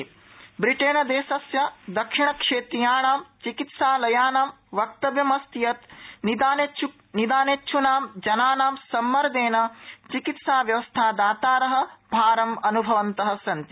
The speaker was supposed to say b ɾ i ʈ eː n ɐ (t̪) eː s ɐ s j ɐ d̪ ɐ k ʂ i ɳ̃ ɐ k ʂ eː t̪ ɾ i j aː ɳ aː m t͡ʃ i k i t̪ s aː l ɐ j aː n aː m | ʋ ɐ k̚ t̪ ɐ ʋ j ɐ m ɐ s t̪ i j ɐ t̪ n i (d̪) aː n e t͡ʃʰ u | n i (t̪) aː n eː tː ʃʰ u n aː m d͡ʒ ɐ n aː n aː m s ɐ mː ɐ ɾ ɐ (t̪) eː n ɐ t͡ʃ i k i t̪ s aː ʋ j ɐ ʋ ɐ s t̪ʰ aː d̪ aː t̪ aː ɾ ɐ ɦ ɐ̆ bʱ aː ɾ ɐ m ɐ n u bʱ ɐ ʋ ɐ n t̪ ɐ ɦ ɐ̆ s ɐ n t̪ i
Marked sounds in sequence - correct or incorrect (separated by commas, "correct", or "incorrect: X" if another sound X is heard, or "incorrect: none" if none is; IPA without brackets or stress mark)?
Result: incorrect: d̪, correct, incorrect: d̪, incorrect: d̪